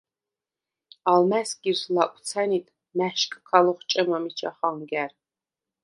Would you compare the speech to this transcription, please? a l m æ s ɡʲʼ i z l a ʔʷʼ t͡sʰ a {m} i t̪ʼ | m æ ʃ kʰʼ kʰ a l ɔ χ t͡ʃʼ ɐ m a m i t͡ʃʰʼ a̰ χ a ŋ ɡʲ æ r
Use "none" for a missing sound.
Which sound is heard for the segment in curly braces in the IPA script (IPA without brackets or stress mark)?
n